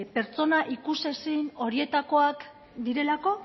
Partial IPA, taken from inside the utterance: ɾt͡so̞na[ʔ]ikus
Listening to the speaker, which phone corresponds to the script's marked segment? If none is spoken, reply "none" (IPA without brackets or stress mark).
ʔ